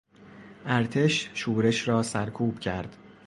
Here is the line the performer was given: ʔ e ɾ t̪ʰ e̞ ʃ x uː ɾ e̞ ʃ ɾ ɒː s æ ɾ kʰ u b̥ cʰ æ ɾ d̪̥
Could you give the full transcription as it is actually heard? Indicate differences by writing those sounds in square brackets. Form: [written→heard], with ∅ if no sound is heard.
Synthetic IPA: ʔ [e→æ] ɾ t̪ʰ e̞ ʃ [x→ʃ] uː ɾ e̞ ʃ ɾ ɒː s æ ɾ kʰ [u→uː] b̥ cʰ æ ɾ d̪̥